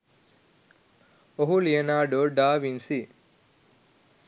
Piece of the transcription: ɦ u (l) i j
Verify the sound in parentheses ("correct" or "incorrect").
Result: correct